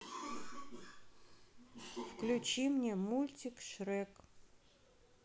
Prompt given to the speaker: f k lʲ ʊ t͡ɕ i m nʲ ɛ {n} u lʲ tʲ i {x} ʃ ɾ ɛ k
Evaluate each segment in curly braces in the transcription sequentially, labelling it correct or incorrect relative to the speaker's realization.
incorrect: m, incorrect: k

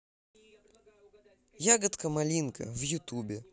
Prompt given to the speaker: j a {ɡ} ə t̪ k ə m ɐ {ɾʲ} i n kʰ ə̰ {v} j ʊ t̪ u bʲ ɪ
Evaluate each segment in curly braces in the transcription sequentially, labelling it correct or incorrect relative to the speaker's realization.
correct, incorrect: lʲ, correct

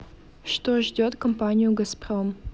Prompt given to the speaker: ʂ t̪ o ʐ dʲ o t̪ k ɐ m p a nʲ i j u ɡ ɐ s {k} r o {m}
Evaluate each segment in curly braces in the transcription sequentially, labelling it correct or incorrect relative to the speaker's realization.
incorrect: p, correct

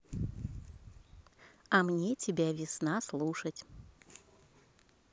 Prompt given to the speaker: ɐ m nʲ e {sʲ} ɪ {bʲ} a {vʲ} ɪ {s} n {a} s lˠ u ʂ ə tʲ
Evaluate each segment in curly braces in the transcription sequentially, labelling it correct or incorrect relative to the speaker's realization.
incorrect: tʲ, correct, correct, correct, correct

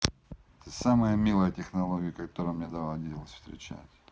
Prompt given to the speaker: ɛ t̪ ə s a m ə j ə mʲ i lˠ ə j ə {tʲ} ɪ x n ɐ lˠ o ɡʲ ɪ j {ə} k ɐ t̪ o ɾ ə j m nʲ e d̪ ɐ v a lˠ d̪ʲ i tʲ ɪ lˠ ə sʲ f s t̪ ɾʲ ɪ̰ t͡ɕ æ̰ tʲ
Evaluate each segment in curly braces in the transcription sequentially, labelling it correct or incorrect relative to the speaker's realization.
correct, correct

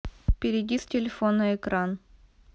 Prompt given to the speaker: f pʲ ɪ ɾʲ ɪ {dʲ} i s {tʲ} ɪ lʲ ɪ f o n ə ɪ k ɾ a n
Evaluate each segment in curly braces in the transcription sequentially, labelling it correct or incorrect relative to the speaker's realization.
correct, correct

